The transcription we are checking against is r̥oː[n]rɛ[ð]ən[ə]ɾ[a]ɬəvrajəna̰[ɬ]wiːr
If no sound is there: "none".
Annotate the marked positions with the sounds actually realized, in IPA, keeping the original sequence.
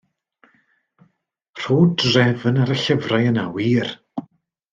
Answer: d, v, a, ə, none

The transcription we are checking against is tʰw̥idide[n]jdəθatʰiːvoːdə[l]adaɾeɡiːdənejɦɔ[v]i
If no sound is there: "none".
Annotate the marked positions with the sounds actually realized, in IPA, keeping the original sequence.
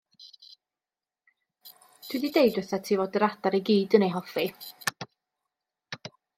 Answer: none, ɾ, f

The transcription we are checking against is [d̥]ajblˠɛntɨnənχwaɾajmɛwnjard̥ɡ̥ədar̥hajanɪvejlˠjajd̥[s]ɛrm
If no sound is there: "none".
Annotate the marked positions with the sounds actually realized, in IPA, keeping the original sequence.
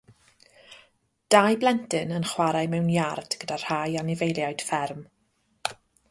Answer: d̥, f

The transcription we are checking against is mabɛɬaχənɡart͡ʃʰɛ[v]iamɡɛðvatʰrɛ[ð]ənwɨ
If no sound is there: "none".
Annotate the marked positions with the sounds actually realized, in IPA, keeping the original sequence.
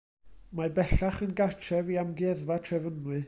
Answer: v, v

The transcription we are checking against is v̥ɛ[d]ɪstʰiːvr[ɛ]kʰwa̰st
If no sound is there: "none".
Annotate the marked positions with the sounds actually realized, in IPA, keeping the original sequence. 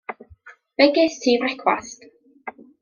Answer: ɡ, ɛ

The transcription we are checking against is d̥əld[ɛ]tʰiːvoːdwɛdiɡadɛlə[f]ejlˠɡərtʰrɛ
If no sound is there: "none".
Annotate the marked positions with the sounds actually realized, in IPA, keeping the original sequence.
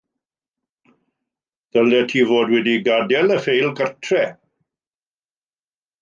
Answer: ɛ, f

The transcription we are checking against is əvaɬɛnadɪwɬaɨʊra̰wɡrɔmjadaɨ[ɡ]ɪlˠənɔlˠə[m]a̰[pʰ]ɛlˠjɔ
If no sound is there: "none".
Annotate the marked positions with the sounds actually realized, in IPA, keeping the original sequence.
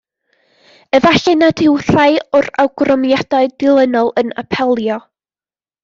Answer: d, n, pʰ

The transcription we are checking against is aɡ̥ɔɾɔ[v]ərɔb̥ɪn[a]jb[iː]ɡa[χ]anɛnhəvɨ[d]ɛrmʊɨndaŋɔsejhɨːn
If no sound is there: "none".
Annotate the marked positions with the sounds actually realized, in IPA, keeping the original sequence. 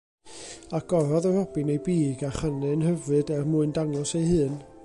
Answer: ð, e, iː, χ, d

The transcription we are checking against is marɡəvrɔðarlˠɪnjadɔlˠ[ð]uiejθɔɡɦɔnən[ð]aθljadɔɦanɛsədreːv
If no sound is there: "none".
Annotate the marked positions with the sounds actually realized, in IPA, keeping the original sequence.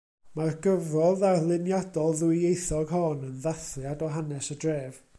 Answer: ð, ð

